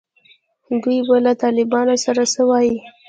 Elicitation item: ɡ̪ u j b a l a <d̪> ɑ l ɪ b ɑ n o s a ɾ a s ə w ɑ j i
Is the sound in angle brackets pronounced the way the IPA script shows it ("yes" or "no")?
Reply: no